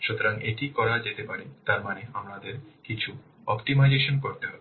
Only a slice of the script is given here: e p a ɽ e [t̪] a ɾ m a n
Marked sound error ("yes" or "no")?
no